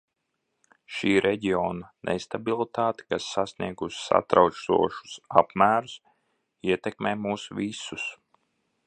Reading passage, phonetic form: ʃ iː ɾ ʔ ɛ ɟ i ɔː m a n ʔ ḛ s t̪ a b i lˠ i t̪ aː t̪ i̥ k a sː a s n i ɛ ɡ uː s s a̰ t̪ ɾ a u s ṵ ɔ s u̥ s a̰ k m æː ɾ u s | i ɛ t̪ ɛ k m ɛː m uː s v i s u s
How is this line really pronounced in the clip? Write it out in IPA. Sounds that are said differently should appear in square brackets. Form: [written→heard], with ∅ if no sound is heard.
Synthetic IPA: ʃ iː ɾ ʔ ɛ ɟ i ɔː [m→n] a n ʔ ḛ s t̪ a b i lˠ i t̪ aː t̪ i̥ k a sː a s n i ɛ ɡ [uː→u] s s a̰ t̪ ɾ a [u→w] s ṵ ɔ [s→ʃ] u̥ s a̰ [k→p] m æː ɾ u s | i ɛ t̪ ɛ k m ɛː m uː s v i s u s

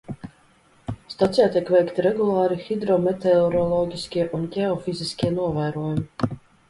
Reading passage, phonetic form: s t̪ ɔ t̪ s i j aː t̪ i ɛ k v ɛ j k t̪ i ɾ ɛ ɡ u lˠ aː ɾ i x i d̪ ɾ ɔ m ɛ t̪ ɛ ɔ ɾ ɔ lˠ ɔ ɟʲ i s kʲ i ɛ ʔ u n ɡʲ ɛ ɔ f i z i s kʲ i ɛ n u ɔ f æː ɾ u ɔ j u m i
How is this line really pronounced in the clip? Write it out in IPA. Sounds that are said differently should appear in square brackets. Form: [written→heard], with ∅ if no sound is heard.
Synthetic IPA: s t̪ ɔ t̪ s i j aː t̪ i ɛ k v ɛ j k t̪ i ɾ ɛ ɡ u lˠ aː ɾ i x i d̪ ɾ ɔ m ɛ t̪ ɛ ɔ ɾ ɔ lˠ ɔ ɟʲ i s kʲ i ɛ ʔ u n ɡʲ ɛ ɔ f i z i s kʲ i ɛ n u ɔ [f→v] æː ɾ u ɔ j u m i

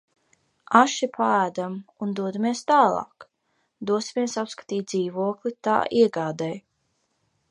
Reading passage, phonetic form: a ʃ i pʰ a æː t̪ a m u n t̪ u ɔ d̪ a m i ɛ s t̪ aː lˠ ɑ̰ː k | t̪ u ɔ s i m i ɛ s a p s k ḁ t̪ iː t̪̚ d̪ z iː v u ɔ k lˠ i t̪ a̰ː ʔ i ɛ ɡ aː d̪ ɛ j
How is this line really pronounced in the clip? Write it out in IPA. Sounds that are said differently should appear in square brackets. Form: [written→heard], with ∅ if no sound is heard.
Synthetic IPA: a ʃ i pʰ a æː [t̪→d̪] a m u n [t̪→d̪] u ɔ d̪ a m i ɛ s t̪ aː lˠ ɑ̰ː k | [t̪→d̪] u ɔ s i m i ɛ s a p s k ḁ t̪ iː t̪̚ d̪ z iː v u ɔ k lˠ i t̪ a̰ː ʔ i ɛ ɡ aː d̪ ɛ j

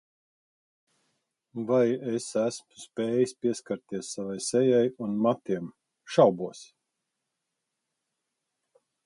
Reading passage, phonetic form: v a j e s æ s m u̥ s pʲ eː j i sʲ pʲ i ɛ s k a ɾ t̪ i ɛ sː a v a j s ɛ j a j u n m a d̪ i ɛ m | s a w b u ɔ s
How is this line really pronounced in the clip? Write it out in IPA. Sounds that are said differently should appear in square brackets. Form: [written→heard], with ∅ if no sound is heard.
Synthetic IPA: v a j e s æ s m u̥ s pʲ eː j i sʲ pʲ i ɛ s k a ɾ t̪ i ɛ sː a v a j s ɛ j a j u n m a [d̪→t̪] i ɛ m | [s→ʃ] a w b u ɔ s

